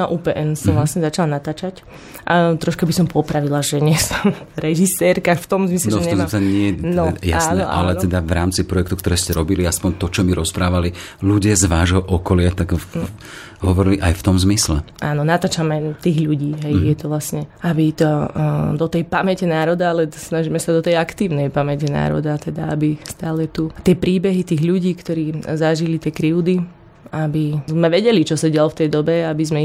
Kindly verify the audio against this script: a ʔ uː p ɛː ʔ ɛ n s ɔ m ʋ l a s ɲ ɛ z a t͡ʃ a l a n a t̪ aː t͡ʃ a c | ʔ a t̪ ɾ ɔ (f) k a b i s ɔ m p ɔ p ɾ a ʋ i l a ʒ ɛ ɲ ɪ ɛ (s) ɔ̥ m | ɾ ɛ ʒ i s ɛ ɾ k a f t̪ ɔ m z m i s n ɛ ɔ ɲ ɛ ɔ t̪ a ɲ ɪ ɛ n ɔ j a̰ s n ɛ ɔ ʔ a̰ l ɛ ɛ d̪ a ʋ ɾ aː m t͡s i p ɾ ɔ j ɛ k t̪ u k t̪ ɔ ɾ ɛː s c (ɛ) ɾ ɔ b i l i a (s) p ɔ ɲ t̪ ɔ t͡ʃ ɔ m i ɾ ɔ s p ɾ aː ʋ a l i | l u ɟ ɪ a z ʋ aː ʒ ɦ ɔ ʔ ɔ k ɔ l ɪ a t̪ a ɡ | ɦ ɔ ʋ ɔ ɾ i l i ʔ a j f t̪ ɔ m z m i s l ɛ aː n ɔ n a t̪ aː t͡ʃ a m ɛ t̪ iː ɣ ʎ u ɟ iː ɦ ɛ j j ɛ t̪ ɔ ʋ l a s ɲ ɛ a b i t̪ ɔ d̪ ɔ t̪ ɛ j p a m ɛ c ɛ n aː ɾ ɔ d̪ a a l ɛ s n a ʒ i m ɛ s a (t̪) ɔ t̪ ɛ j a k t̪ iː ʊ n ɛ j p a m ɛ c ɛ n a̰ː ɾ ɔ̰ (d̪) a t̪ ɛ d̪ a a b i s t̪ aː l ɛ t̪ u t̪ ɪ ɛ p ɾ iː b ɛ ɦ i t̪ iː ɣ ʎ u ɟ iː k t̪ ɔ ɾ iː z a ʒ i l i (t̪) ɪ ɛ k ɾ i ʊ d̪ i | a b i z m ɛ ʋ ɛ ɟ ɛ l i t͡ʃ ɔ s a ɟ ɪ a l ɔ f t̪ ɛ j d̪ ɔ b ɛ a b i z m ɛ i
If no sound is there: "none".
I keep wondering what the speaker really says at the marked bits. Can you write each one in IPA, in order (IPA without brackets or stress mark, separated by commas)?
ʃ, s, ɛ, s, d̪, d̪, t̪